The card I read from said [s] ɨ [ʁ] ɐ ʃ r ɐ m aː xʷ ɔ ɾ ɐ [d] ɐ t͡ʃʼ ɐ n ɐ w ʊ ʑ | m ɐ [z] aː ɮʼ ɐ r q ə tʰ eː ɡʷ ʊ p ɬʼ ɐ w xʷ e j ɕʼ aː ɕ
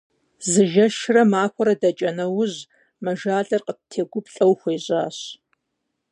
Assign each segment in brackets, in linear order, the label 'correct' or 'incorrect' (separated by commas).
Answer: incorrect, incorrect, correct, incorrect